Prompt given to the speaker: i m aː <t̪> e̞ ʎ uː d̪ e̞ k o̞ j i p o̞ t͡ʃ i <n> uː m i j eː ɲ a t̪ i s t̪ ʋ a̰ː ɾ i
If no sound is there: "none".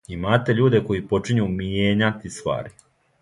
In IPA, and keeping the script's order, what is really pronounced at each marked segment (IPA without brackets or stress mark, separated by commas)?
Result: t̪, ɲ